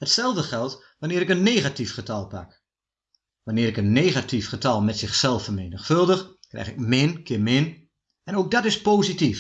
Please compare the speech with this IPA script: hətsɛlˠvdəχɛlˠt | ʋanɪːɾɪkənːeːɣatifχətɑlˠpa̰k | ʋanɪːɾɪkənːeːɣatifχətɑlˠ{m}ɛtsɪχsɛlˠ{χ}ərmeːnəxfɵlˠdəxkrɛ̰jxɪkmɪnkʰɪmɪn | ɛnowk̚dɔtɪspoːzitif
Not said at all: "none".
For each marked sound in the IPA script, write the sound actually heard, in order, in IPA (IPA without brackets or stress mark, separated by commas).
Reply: m, f